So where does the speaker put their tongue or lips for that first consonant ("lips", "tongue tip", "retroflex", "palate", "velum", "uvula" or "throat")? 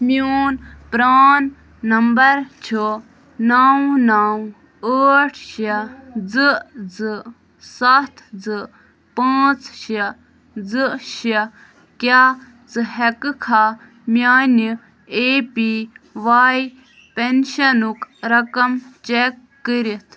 lips